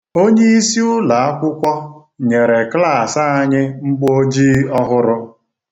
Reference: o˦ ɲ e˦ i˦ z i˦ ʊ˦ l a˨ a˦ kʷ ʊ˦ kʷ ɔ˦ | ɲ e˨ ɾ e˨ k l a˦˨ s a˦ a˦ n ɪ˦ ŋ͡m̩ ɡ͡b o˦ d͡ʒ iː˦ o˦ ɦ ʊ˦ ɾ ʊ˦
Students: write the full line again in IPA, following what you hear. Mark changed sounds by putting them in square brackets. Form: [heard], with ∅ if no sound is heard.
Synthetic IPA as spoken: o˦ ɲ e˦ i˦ [s] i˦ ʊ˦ l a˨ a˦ kʷ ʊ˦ kʷ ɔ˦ | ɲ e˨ ɾ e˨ k l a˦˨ s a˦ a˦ [ɲ] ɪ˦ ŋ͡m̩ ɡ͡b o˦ d͡ʒ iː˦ [ɔ˦] ɦ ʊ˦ ɾ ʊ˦